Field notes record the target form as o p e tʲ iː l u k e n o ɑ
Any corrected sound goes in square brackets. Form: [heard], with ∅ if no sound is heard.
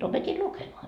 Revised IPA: o p e tʲ [i] l u k e [m] o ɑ